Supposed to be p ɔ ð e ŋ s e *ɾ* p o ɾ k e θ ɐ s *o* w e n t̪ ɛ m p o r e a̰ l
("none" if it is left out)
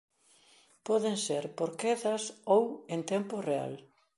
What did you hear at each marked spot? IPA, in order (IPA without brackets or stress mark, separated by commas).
ɾ, o